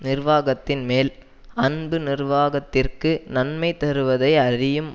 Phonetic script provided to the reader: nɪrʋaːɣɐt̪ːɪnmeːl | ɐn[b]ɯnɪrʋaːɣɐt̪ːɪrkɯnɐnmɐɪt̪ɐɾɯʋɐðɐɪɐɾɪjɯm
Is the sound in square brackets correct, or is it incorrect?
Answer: correct